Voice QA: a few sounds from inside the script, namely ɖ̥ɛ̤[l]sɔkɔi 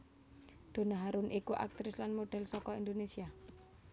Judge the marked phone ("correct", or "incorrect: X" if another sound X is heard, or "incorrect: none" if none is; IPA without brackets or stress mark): correct